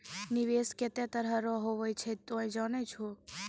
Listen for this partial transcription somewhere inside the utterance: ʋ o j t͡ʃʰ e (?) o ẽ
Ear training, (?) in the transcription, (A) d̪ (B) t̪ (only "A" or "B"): B